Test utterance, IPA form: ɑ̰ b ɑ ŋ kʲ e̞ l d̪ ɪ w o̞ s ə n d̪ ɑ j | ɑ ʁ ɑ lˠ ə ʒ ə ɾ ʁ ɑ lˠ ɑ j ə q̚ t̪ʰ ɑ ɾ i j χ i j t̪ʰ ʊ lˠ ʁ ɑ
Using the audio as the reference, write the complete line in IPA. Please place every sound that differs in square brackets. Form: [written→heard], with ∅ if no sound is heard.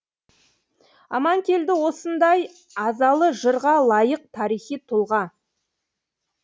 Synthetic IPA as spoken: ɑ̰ [b→m] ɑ ŋ kʲ e̞ l d̪ ɪ w o̞ s ə n d̪ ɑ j | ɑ [ʁ→z] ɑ lˠ ə ʒ ə ɾ ʁ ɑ lˠ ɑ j ə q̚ t̪ʰ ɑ ɾ i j χ i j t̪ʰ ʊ lˠ ʁ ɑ

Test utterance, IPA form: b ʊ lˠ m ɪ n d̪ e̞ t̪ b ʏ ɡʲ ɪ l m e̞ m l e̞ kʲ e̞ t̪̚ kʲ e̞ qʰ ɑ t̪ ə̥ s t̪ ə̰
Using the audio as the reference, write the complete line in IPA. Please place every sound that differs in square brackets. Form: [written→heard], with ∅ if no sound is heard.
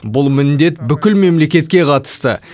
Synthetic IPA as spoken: b ʊ lˠ m ɪ n d̪ e̞ t̪ b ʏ [ɡʲ→kʲ] ɪ l m e̞ m l e̞ kʲ e̞ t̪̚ kʲ e̞ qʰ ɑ t̪ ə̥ s t̪ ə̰

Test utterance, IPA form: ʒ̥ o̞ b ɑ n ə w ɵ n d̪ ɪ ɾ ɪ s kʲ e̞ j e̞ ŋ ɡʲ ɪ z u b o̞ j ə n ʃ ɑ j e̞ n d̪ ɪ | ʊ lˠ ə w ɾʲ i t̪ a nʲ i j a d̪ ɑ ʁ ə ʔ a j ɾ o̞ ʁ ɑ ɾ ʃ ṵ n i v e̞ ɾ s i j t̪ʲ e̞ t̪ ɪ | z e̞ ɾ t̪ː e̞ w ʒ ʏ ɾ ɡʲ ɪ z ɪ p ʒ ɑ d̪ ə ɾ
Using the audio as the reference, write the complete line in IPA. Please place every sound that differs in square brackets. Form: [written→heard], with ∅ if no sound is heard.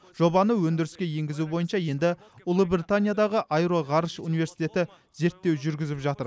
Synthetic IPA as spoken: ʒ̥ o̞ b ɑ n ə w ɵ n d̪ ɪ ɾ ɪ s kʲ e̞ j e̞ ŋ ɡʲ ɪ z u b o̞ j ə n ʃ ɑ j e̞ n d̪ ɪ | ʊ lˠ ə [w→b] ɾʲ i t̪ a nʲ i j a d̪ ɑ ʁ ə ʔ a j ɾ o̞ ʁ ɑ ɾ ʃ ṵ n i v e̞ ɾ s i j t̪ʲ e̞ t̪ ɪ | z e̞ ɾ t̪ː e̞ w ʒ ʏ ɾ ɡʲ ɪ z ɪ p ʒ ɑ [d̪→t̪] ə ɾ

